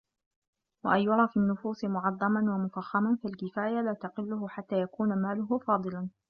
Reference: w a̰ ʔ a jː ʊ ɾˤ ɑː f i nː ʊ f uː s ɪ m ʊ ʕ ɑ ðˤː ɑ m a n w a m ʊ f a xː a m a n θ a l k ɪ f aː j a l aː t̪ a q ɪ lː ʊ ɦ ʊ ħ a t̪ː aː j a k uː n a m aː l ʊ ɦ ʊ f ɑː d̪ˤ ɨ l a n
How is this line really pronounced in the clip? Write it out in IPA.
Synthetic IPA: w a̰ ʔ a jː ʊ ɾˤ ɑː f i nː ʊ f uː s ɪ m ʊ ʕ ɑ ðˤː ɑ m a n w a m ʊ f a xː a m a n f a l k ɪ f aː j a l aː t̪ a q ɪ lː ʊ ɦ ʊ ħ a t̪ː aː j a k uː n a m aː l ʊ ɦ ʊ f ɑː d̪ˤ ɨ l a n